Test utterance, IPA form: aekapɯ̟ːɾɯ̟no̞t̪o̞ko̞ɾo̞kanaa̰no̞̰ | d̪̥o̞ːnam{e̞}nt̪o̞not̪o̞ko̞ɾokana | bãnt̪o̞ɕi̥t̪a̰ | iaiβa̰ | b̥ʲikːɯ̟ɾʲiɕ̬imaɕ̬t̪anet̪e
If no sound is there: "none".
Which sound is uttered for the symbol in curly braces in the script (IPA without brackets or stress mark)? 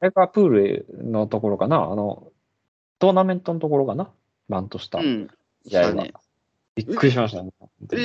ẽ̞